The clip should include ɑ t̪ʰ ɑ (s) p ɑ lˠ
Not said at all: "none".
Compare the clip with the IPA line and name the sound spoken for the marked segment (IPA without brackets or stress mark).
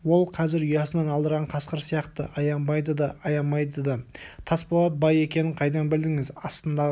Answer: s